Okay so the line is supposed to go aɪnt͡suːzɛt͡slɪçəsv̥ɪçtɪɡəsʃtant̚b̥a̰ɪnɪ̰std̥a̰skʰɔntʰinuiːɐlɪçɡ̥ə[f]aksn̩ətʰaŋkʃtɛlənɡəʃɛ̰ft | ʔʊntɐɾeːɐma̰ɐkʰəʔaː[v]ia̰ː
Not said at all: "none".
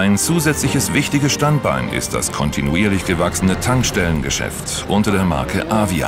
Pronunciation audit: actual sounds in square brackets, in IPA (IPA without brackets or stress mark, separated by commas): v, v